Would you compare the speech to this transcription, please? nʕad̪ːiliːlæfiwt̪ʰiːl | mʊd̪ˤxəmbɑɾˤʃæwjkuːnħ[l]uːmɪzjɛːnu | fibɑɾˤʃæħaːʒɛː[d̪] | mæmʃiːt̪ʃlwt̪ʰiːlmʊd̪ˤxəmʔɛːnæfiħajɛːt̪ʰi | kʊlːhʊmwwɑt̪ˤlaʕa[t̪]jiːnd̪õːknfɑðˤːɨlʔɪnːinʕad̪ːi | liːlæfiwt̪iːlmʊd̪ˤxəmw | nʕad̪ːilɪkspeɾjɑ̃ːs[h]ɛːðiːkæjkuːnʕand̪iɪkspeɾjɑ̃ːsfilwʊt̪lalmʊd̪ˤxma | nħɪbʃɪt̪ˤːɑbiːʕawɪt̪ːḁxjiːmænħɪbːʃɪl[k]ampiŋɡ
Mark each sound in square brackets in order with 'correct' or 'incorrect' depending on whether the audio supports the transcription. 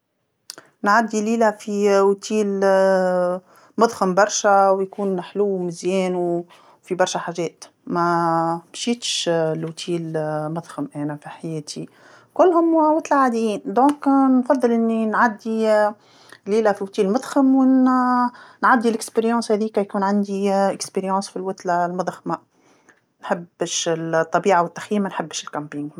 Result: correct, incorrect: t̪, incorrect: d̪, correct, correct

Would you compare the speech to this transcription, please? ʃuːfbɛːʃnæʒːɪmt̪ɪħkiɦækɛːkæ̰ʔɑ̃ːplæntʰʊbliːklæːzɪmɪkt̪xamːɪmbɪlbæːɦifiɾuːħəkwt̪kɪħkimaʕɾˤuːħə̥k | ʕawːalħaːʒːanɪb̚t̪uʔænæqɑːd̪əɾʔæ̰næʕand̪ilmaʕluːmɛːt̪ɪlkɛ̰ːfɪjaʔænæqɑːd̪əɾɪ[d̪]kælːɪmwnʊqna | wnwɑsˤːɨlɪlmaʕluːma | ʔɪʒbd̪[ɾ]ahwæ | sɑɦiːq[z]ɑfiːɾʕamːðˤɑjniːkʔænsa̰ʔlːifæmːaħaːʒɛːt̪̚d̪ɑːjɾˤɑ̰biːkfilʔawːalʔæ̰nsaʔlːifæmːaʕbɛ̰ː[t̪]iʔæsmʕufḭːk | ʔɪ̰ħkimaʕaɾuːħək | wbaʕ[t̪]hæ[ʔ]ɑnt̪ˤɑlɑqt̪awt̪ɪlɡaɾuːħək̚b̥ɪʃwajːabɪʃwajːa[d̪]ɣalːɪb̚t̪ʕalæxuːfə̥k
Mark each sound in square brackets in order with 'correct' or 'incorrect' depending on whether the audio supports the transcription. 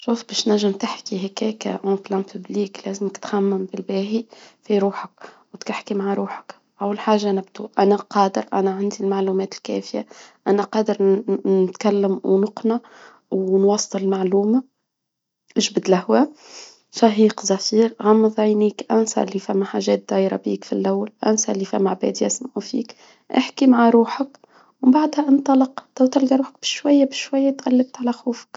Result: incorrect: t̪, incorrect: l, correct, incorrect: d̪, incorrect: d̪, correct, incorrect: t̪

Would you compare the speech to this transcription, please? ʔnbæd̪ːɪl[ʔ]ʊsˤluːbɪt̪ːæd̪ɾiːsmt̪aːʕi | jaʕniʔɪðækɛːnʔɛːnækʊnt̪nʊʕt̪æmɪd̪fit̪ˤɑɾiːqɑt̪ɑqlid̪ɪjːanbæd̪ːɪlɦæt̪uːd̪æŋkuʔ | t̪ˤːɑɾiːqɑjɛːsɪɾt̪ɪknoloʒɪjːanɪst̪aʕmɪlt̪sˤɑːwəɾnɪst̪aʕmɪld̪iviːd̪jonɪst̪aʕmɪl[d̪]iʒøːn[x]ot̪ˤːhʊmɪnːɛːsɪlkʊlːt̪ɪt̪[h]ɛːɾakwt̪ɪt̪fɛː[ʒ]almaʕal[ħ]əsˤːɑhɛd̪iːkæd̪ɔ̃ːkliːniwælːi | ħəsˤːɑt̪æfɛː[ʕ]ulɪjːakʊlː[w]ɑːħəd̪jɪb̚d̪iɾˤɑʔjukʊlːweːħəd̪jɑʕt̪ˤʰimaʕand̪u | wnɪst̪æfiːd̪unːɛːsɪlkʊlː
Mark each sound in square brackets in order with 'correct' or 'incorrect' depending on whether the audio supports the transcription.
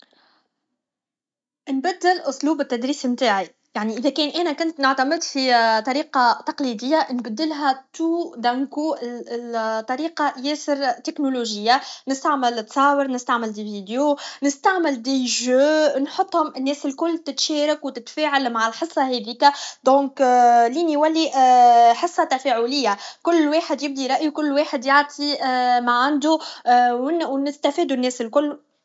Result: correct, correct, incorrect: ħ, incorrect: ʃ, incorrect: ʕ, correct, correct, correct

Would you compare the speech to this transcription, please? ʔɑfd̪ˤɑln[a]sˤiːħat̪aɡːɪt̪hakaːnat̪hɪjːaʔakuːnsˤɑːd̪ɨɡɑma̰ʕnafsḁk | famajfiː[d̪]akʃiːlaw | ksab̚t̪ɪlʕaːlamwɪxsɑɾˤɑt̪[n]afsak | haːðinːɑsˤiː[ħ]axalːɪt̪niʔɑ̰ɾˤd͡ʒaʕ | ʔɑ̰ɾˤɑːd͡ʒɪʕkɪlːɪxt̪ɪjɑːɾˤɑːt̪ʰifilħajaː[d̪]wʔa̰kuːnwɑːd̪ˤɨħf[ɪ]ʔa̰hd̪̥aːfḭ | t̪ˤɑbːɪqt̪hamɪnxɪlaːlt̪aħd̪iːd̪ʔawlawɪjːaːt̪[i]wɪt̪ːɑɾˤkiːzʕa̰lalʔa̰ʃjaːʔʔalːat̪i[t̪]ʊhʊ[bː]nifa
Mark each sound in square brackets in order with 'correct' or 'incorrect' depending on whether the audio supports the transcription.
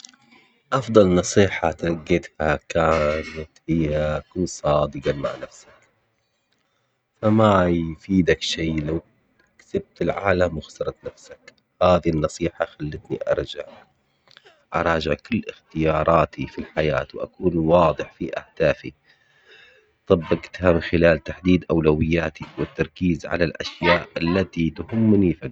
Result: incorrect: ɑ, correct, correct, correct, incorrect: t̪, incorrect: i, correct, correct, incorrect: mː

